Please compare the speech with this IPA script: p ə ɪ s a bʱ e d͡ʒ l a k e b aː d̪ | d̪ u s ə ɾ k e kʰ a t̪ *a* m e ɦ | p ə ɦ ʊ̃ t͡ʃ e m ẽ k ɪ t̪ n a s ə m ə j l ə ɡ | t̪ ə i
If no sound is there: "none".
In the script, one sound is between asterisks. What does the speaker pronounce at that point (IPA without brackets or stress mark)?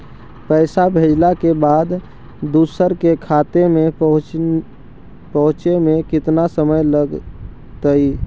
e